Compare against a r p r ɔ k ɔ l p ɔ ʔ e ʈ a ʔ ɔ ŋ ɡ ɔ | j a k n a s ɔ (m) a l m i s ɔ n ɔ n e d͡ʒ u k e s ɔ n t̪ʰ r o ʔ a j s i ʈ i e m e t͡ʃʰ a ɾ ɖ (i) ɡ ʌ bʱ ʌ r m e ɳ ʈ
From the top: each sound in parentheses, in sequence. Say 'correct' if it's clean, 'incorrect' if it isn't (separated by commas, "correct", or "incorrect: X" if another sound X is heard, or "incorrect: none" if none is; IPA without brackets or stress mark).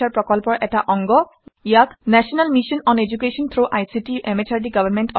incorrect: n, correct